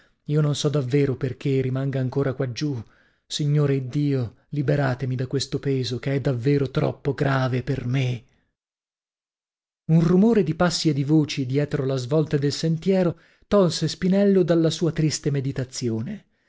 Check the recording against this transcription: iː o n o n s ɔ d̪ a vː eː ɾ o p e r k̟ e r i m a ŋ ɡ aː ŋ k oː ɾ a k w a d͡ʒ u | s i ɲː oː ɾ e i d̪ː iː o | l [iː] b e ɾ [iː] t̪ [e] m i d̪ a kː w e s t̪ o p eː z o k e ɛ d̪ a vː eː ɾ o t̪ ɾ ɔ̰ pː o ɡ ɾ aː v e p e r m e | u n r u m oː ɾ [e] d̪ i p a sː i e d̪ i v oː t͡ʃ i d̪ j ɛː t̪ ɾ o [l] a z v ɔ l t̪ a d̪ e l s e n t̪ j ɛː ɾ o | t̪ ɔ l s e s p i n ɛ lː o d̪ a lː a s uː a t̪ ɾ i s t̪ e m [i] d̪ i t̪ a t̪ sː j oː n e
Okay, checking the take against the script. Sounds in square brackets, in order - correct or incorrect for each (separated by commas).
incorrect, incorrect, correct, correct, correct, incorrect